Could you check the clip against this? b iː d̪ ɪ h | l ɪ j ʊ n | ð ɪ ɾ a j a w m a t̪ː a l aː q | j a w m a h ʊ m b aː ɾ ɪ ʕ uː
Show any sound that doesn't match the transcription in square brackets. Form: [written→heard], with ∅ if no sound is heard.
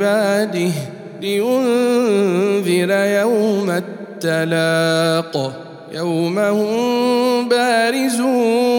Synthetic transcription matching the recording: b [iː→aː] d̪ ɪ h | l ɪ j ʊ n | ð ɪ ɾ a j a w m a t̪ː a l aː q | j a w m a h ʊ m b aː ɾ ɪ [ʕ→z] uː